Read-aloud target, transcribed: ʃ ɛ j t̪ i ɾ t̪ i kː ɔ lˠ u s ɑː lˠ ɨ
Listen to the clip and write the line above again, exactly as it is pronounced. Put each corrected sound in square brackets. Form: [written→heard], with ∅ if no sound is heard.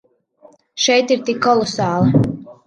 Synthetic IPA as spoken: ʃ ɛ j t̪ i ɾ t̪ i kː ɔ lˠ [u→ɔ] s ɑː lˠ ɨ